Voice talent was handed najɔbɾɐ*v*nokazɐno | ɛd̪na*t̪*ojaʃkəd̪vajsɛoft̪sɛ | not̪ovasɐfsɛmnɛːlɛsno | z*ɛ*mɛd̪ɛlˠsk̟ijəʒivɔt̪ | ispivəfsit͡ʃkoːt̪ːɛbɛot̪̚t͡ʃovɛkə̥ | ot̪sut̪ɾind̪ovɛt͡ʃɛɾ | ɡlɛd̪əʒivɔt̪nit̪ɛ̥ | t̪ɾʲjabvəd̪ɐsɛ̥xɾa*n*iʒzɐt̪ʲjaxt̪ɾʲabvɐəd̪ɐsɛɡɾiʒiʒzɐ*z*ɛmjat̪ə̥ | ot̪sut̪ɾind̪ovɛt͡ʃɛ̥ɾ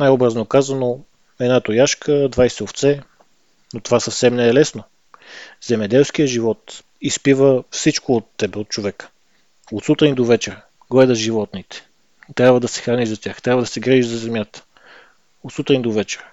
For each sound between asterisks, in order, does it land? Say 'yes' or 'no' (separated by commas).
no, yes, yes, yes, yes